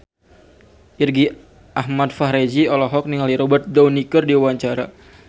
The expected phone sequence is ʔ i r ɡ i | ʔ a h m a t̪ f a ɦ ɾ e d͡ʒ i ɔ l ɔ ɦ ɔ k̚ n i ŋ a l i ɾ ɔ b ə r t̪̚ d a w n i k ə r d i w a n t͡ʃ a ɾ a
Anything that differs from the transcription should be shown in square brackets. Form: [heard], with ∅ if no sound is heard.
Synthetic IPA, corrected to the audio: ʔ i r ɡ i | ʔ a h m a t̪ f a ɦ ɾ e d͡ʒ i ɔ l ɔ ɦ ɔ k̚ n i ŋ a l i ɾ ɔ b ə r t̪̚ d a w n i k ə r d i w a [ɲ] t͡ʃ a ɾ a